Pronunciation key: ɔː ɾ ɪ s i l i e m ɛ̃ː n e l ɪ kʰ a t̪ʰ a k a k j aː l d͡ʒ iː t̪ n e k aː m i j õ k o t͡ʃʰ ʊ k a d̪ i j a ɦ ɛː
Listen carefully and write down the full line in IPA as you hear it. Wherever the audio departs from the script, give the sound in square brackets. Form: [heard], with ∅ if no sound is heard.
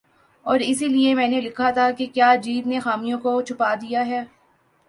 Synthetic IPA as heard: ɔː ɾ ɪ s i l i e m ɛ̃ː n e l ɪ kʰ a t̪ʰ a k [e] k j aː [∅] d͡ʒ iː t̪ n e [x] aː m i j õ k o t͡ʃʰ ʊ [p] a d̪ i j a ɦ ɛː